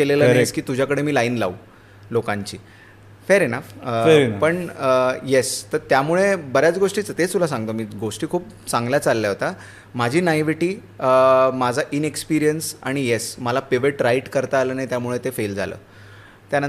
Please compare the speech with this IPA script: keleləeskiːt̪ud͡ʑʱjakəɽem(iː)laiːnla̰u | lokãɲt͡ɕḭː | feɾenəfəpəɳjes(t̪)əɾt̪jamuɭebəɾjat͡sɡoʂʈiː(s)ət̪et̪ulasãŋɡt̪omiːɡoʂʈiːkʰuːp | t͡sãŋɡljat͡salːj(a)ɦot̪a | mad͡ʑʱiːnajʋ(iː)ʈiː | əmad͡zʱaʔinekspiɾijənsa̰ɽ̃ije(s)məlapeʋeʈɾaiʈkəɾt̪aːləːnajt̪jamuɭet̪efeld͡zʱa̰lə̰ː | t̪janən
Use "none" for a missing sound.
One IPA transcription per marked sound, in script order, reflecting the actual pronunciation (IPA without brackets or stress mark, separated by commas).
iː, t̪, t͡s, a, i, s